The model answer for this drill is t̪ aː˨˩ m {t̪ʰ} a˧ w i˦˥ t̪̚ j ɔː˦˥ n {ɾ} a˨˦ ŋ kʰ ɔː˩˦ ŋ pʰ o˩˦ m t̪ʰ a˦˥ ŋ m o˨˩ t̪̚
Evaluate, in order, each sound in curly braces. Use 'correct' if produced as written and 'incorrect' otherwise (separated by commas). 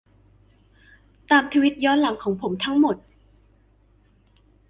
correct, incorrect